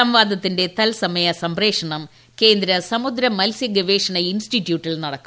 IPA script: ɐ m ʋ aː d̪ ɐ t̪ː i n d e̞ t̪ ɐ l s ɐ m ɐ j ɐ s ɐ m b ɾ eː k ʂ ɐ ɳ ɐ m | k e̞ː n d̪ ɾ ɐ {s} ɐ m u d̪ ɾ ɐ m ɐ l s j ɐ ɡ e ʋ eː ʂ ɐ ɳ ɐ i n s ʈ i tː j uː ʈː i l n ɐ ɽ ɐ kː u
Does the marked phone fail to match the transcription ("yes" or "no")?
no